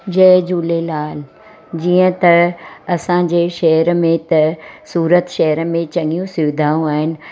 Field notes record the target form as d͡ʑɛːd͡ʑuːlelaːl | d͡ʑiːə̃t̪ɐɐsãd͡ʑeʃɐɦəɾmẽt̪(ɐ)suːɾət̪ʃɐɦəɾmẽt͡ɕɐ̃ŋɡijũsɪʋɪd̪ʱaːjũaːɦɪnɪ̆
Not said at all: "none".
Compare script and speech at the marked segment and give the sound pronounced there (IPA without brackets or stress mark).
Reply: ɐ